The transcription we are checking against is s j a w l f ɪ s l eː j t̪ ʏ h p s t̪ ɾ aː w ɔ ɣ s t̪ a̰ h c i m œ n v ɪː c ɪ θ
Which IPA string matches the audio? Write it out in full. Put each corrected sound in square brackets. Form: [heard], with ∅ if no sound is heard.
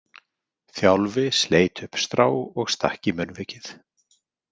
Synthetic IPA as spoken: [θ] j a w l [v] ɪ s l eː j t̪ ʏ h p s t̪ ɾ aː w ɔ ɣ s t̪ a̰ h c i m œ n v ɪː c ɪ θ